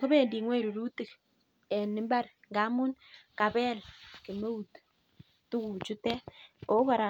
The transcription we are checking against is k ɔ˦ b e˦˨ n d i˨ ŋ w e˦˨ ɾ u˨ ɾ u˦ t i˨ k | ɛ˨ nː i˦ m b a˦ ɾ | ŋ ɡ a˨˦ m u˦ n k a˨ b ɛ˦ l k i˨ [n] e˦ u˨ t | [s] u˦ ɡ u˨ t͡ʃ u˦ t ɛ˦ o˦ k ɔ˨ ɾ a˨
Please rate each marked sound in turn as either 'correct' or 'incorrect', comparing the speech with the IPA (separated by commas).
incorrect, incorrect